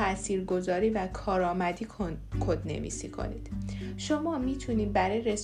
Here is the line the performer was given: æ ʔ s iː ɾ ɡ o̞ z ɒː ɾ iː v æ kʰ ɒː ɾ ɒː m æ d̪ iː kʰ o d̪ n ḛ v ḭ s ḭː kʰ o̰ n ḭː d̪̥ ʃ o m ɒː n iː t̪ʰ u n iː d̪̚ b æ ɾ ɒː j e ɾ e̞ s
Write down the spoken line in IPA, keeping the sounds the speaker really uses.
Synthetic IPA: æ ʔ s iː ɾ ɡ o̞ z ɒː ɾ iː v æ kʰ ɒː ɾ ɒː m æ d̪ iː kʰ o d̪ n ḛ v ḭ s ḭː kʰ o̰ n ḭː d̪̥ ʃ o m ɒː m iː t̪ʰ u n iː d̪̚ b æ ɾ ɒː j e ɾ e̞ s